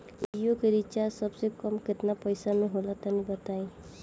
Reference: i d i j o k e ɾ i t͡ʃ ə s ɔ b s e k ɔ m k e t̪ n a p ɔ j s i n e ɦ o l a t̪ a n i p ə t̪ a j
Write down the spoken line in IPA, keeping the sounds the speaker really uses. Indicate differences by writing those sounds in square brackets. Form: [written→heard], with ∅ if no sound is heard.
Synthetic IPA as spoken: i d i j o k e ɾ i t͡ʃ [ə→a] s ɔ b s e k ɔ m k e t̪ n a p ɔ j s [i→a] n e ɦ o l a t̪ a n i [p→b] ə t̪ a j